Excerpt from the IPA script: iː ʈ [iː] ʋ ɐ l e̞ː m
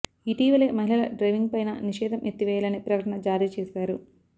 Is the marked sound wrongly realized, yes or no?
no